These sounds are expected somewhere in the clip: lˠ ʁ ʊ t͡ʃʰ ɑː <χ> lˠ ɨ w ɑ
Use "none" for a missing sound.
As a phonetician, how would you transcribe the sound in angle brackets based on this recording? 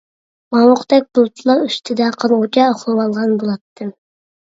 χ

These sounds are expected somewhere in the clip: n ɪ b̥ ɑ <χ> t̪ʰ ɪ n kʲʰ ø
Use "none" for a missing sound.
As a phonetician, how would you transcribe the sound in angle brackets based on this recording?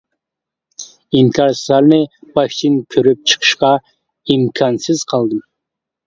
ʃ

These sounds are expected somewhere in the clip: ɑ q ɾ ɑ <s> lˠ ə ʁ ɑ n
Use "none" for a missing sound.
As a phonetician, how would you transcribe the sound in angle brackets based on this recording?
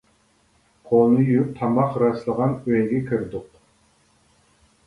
s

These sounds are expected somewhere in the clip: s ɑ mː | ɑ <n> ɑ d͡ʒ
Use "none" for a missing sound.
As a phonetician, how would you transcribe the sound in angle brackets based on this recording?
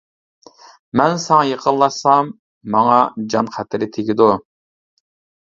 ŋ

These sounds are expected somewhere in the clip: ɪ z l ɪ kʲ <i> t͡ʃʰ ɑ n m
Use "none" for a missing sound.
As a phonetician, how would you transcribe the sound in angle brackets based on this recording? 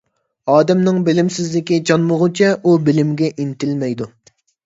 i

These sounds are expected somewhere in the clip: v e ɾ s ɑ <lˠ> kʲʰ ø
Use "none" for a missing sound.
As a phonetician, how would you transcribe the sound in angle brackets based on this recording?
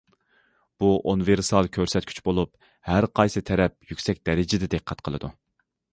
lˠ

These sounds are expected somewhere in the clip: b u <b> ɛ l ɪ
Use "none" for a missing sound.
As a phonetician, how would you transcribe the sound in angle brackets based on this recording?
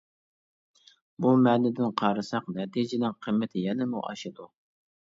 m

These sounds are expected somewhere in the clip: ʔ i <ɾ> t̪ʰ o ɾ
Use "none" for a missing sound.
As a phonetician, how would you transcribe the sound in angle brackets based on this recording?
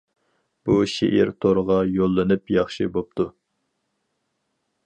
ɾ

